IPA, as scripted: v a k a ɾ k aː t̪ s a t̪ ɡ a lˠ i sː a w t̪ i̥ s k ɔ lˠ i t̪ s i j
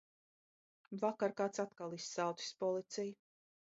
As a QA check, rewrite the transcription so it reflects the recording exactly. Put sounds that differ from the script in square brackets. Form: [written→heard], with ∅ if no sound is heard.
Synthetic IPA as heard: v a k a ɾ k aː t̪ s a t̪ [ɡ→k] a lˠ i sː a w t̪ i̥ s [k→p] ɔ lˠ i t̪ s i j